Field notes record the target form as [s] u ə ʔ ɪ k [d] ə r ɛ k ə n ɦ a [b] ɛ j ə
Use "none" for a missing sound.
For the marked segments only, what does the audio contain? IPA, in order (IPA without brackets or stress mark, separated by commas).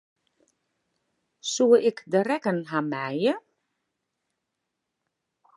s, d, m